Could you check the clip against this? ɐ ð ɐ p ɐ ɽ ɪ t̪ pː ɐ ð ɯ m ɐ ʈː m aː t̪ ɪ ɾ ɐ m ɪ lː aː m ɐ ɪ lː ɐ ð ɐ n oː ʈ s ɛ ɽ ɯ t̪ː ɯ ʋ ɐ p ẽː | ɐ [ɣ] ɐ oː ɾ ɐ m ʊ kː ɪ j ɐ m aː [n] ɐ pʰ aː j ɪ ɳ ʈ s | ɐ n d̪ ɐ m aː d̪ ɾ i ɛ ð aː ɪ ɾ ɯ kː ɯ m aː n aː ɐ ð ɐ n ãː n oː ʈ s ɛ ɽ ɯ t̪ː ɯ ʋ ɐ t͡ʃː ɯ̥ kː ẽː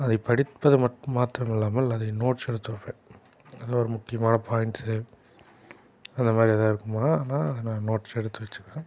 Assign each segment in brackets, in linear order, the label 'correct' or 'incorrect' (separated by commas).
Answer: incorrect, correct